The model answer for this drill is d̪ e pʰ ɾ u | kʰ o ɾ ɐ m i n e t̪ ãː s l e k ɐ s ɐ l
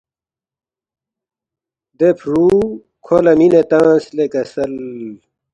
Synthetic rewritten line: d̪ e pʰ ɾ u | kʰ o l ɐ m i n e t̪ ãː s l e k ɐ s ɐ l